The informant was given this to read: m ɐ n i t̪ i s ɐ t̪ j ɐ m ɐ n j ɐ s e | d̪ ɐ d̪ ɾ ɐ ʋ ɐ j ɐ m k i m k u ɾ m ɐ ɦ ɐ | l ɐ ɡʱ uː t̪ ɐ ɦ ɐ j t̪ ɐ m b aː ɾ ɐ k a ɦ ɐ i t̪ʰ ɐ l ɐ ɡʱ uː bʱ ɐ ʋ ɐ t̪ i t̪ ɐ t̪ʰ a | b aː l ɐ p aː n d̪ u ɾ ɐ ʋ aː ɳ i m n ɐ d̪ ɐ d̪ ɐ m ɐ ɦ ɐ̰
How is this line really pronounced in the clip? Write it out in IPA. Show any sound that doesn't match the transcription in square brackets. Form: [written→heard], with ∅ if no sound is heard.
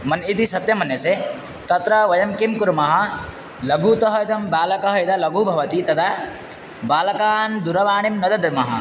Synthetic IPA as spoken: m ɐ n i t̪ i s ɐ t̪ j ɐ m ɐ n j ɐ s e | [d̪→t̪] ɐ [d̪→t̪] ɾ ɐ ʋ ɐ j ɐ m k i m k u ɾ m ɐ ɦ ɐ | l ɐ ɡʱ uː t̪ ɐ ɦ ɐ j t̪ ɐ m b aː [ɾ→l] ɐ k [a→ɐ] ɦ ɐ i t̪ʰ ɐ l ɐ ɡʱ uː bʱ ɐ ʋ ɐ t̪ i t̪ ɐ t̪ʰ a | b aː l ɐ [p→k] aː n d̪ u ɾ ɐ ʋ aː ɳ i m n ɐ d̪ ɐ d̪ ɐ m ɐ ɦ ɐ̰

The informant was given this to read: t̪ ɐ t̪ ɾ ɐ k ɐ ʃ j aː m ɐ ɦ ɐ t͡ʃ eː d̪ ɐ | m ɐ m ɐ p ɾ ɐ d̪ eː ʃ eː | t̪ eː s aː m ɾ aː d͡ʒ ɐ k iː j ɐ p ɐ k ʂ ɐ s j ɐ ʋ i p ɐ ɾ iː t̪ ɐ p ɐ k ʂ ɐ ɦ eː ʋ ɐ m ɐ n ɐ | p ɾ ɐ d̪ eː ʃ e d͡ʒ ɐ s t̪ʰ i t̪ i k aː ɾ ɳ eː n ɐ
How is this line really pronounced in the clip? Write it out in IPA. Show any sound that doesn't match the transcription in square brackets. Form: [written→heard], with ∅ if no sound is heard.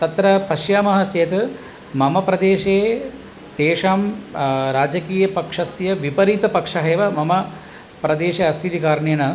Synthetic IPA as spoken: t̪ ɐ t̪ ɾ ɐ [k→p] ɐ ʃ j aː m ɐ ɦ ɐ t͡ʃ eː [d̪→t̪] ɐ | m ɐ m ɐ p ɾ ɐ d̪ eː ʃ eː | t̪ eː [s→ʂ] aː m ɾ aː d͡ʒ ɐ k iː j ɐ p ɐ k ʂ ɐ s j ɐ ʋ i p ɐ ɾ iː t̪ ɐ p ɐ k ʂ ɐ ɦ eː ʋ ɐ m ɐ [n→m] ɐ | p ɾ ɐ d̪ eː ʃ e [d͡ʒ→∅] ɐ s t̪ʰ i t̪ i k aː ɾ ɳ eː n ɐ

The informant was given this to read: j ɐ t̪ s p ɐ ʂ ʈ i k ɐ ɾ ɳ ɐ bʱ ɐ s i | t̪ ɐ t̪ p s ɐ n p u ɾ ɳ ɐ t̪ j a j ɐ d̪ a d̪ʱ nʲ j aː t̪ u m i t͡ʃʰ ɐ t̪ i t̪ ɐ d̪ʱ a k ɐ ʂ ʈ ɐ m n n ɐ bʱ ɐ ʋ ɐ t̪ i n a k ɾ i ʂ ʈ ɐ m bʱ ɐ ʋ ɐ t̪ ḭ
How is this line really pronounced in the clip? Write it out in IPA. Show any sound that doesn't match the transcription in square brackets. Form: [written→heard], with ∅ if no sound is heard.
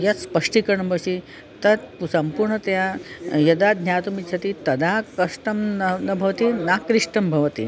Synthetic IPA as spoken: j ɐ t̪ s p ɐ ʂ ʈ i k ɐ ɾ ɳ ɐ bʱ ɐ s i | t̪ ɐ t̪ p s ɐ [n→m] p u ɾ ɳ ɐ t̪ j a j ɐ d̪ a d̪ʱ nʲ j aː t̪ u m i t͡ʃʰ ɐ t̪ i t̪ ɐ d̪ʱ a k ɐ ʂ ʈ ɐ m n n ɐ bʱ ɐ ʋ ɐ t̪ i n a k ɾ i ʂ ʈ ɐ m bʱ ɐ ʋ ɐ t̪ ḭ

